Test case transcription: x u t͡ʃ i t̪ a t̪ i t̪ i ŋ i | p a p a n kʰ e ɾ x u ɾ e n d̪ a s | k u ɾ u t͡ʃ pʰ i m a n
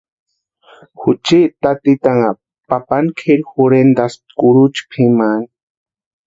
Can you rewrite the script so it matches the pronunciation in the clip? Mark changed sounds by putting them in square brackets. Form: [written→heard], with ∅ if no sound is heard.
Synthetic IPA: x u t͡ʃ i t̪ a t̪ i t̪ [i→a] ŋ [i→a] | p a p a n kʰ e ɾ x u ɾ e n d̪ a s | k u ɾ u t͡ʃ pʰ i m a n